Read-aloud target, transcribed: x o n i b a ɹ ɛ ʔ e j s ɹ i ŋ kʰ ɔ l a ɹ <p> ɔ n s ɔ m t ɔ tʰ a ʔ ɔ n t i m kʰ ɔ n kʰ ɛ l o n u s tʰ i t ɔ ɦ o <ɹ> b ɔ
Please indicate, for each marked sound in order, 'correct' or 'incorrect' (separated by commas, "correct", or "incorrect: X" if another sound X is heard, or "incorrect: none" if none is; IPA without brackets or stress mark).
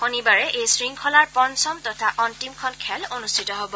correct, incorrect: none